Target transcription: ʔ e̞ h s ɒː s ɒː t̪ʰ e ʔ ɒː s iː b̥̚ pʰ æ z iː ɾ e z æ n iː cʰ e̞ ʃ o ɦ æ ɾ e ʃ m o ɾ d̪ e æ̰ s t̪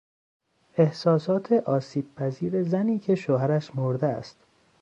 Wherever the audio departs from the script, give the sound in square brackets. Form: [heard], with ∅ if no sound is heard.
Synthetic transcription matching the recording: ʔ e̞ h s ɒː s ɒː t̪ʰ e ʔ ɒː s iː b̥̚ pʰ æ z iː ɾ e z æ n iː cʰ e̞ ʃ o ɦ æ ɾ [æ] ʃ m o ɾ d̪ e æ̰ s t̪